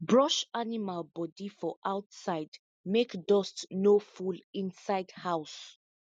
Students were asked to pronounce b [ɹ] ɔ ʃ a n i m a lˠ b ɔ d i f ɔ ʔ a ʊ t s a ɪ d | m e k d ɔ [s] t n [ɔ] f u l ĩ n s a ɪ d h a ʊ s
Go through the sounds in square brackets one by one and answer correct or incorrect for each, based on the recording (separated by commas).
correct, correct, incorrect